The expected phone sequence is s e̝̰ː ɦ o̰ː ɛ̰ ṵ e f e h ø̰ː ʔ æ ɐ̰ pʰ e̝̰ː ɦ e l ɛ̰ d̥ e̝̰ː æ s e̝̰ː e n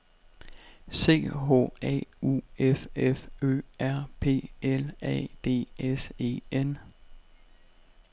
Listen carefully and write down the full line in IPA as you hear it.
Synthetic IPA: s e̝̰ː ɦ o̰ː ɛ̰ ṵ e f e f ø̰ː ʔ æ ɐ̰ pʰ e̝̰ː e l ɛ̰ d̥ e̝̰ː e s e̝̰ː e n